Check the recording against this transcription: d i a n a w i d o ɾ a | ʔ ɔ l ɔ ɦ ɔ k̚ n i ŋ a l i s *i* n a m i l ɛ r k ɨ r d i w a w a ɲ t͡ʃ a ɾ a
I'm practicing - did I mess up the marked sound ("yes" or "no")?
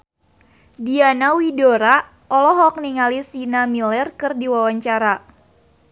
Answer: no